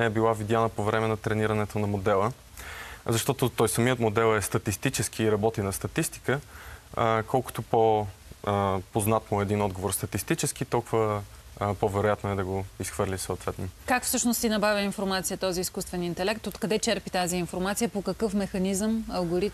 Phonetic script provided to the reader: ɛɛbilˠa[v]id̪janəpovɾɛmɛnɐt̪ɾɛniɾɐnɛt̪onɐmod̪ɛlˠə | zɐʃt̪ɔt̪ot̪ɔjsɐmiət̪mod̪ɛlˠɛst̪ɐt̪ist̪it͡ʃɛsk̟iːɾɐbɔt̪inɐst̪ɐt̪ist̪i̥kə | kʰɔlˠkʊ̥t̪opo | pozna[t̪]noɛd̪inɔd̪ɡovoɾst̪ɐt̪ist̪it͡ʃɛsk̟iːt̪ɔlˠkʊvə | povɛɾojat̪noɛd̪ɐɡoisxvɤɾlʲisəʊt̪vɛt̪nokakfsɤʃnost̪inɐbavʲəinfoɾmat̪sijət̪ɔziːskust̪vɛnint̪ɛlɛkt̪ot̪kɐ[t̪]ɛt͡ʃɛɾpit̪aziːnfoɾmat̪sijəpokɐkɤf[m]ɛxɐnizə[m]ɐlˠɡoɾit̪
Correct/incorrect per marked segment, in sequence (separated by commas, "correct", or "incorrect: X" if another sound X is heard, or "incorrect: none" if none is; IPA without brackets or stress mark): correct, correct, incorrect: d̪, correct, correct